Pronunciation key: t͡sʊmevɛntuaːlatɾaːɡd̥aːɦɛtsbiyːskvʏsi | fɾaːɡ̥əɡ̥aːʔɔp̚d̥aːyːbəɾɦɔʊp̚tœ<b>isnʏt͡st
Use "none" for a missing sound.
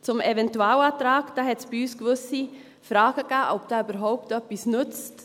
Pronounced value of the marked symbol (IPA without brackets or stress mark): p